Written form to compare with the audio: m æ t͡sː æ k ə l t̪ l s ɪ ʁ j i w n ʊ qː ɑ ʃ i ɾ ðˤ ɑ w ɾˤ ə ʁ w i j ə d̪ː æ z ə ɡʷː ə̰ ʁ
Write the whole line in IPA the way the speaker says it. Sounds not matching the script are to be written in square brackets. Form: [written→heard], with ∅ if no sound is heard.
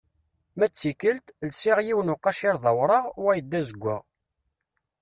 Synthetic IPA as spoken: m æ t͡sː [æ→i] k ə l t̪ l s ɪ ʁ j i w n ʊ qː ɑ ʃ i ɾ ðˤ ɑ w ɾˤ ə ʁ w [i→æ] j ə d̪ː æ z ə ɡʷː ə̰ ʁ